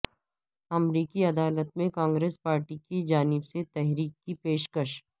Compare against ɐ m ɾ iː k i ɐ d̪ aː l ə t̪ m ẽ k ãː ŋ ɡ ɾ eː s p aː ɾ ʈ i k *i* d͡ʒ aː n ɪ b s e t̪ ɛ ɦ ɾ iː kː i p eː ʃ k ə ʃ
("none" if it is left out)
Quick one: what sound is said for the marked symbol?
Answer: i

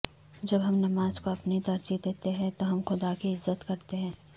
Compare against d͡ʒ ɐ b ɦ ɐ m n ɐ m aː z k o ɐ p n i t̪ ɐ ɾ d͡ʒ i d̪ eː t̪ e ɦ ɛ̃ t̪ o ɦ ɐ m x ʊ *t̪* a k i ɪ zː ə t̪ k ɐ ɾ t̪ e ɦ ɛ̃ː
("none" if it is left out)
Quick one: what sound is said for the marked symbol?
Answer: d̪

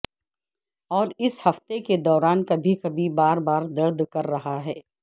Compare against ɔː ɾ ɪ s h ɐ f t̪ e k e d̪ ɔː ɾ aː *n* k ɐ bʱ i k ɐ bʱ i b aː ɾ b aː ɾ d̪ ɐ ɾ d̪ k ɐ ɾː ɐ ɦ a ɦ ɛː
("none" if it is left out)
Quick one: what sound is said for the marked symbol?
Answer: n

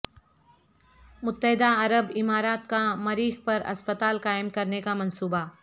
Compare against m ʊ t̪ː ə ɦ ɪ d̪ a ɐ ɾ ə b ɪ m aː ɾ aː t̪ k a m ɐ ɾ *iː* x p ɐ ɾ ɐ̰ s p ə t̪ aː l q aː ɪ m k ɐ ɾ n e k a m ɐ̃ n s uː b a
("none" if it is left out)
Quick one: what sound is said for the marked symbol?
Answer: iː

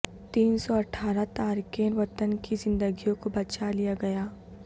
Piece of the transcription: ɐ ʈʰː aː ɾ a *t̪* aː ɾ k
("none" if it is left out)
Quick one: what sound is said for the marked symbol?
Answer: t̪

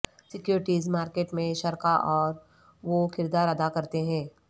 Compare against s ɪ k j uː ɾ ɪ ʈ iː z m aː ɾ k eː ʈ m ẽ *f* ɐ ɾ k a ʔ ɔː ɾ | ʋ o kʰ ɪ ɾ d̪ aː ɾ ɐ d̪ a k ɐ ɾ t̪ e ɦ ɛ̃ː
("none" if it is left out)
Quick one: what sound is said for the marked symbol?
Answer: ʃ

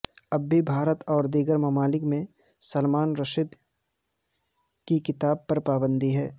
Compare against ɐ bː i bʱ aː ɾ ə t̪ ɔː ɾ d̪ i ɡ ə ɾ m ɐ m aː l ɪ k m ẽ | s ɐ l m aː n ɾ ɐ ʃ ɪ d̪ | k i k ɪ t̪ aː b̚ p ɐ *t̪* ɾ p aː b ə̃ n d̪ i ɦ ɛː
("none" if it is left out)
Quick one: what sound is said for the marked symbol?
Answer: none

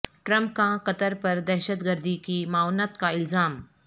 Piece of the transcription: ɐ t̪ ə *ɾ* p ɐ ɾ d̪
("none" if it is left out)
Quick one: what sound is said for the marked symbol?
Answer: ɾ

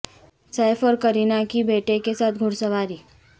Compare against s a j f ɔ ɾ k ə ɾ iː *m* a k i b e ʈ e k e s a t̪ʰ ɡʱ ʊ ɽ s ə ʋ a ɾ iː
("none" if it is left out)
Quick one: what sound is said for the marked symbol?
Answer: n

